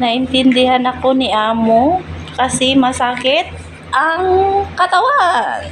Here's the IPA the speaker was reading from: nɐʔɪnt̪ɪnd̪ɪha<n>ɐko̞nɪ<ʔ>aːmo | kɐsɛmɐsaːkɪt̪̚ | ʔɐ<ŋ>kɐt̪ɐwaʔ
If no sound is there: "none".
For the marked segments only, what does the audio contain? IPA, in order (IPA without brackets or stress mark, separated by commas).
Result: n, ʔ, ŋ